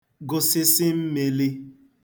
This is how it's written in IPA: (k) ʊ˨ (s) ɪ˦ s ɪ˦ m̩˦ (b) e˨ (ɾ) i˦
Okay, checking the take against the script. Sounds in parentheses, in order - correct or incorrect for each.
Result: incorrect: ɡ, correct, incorrect: m, incorrect: l

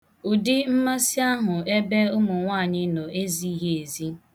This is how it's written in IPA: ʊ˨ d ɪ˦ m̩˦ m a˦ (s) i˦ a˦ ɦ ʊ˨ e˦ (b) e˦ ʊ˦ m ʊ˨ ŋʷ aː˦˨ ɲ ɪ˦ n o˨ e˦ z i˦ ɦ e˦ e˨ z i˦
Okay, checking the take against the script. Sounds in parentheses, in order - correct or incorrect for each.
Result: correct, correct

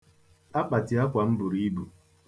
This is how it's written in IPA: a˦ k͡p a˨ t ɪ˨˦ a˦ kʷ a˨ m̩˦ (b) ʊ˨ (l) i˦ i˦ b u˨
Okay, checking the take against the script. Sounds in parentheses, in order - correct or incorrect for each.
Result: correct, incorrect: ɾ

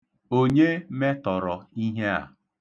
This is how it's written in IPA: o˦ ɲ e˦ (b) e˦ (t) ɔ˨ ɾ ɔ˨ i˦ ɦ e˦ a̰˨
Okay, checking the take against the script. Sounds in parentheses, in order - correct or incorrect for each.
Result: incorrect: m, correct

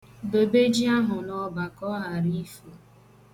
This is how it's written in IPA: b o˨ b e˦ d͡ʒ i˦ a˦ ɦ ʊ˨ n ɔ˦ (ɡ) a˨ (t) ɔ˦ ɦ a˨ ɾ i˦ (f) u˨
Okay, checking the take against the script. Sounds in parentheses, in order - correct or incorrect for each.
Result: incorrect: b, incorrect: k, correct

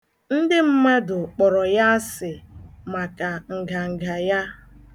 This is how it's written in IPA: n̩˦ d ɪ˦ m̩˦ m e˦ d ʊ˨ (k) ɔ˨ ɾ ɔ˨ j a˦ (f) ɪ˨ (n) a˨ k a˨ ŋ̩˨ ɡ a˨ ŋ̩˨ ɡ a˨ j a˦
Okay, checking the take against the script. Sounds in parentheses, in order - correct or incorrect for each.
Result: incorrect: k͡p, incorrect: s, incorrect: m

